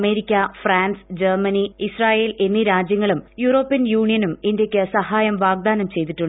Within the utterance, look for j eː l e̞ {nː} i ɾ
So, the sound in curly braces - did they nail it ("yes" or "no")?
yes